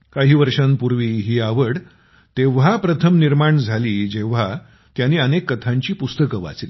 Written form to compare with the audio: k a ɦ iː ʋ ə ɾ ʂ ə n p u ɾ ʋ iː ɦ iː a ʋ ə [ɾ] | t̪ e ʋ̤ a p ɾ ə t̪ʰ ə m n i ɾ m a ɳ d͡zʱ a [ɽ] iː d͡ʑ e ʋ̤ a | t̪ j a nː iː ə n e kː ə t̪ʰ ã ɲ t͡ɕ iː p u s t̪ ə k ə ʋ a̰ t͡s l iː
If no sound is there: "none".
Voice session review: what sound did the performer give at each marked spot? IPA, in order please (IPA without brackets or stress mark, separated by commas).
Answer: ɽ, l